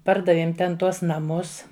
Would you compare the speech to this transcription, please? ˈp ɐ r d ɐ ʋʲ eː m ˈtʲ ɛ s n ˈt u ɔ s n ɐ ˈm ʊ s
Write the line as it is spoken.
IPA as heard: ˈp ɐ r d ɐ ʋʲ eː m ˈtʲ ɛ n ˈt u ɔ s n ɐ ˈm ʊ s